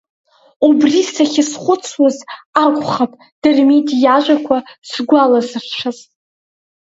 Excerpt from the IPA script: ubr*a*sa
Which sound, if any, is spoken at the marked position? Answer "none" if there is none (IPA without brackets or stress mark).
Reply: i